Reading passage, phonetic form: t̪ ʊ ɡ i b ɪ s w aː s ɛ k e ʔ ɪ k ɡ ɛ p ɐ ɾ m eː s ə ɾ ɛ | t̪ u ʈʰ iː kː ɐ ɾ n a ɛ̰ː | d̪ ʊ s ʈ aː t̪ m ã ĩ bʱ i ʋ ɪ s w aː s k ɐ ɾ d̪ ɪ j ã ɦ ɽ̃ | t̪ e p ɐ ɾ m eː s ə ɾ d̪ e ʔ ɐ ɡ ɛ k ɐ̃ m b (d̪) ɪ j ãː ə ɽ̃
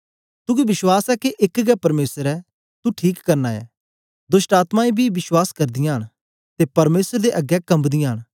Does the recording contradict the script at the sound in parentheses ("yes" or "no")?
no